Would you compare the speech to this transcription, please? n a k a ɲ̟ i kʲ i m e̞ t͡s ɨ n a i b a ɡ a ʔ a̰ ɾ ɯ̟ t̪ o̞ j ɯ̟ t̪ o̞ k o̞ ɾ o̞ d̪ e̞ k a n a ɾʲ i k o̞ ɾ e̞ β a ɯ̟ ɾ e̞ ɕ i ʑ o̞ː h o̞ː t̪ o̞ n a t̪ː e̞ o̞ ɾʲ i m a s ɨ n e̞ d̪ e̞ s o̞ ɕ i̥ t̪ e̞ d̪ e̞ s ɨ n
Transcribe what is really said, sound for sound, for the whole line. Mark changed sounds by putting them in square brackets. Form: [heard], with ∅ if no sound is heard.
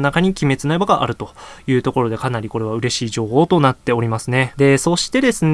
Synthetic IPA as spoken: n a k a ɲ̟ i kʲ i m e̞ t͡s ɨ n a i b a ɡ a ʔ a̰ ɾ ɯ̟ t̪ o̞ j [ɯ̟ː] t̪ o̞ k o̞ ɾ o̞ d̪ e̞ k a n a ɾʲ i k o̞ ɾ e̞ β a ɯ̟ ɾ e̞ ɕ [iː] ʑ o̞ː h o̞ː t̪ o̞ n a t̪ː e̞ o̞ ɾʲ i m a s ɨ n e̞ d̪ e̞ s o̞ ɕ i̥ t̪ e̞ d̪ e̞ s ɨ n